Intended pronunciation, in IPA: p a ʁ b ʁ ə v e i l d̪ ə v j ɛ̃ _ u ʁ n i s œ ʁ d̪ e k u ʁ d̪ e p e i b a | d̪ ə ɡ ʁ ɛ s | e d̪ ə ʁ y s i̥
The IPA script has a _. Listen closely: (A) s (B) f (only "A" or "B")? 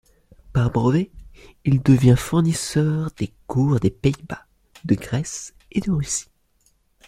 B